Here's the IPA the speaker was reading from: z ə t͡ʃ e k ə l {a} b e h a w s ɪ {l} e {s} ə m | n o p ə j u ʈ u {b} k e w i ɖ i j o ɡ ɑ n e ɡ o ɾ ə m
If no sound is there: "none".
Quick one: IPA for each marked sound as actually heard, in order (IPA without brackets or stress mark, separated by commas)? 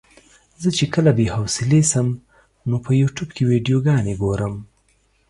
a, l, s, b